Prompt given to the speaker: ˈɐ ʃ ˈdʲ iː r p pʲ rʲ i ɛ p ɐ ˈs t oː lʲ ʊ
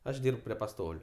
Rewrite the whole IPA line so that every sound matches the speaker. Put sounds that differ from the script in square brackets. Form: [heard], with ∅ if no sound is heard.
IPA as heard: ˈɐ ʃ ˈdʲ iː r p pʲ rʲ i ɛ p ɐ ˈs t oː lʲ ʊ